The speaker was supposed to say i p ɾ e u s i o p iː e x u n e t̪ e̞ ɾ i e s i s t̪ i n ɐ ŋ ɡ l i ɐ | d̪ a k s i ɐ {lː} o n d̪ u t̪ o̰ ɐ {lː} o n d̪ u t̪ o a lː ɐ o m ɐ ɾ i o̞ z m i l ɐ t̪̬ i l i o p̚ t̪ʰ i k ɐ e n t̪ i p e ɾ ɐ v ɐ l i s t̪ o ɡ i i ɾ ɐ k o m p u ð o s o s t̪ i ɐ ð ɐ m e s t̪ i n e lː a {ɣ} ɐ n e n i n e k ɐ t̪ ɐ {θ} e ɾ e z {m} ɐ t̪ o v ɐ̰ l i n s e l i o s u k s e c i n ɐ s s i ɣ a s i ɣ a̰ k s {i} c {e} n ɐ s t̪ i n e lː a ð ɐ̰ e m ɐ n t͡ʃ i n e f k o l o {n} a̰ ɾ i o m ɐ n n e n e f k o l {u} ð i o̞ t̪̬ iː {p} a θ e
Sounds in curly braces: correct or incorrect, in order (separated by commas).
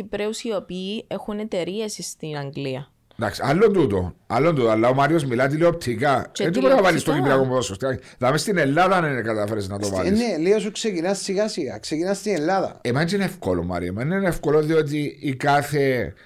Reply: correct, correct, incorrect, incorrect, incorrect, incorrect, incorrect, incorrect, incorrect, incorrect